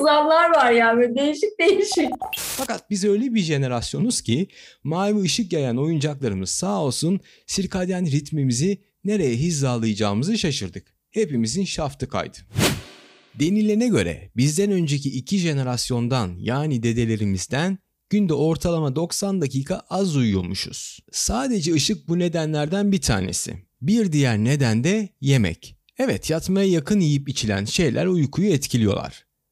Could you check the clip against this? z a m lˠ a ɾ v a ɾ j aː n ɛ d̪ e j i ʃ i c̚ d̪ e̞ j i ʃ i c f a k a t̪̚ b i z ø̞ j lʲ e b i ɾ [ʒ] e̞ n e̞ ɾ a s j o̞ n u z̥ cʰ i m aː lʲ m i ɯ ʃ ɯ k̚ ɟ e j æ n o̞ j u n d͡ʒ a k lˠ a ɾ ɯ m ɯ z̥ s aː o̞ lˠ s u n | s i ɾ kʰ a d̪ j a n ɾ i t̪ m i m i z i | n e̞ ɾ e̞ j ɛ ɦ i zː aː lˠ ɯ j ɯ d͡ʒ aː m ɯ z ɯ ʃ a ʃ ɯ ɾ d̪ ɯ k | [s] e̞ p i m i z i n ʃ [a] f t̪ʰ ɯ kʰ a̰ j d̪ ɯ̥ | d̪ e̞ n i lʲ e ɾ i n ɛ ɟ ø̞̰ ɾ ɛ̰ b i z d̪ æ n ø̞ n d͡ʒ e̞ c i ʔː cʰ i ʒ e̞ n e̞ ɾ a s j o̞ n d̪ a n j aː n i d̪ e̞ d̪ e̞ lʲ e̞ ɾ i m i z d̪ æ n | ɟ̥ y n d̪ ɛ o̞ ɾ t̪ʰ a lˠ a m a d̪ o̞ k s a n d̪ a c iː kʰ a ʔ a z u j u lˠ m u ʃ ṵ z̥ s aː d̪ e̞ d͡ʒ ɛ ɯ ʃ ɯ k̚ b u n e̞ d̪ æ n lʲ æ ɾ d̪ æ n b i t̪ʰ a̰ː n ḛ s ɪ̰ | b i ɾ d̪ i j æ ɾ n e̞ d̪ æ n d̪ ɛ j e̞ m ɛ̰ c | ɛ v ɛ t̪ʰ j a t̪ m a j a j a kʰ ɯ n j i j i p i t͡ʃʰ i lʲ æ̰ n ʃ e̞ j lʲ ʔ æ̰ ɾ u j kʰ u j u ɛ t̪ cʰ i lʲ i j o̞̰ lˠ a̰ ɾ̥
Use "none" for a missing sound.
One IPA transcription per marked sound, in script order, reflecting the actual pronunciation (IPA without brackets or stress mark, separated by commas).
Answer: ʒ, h, a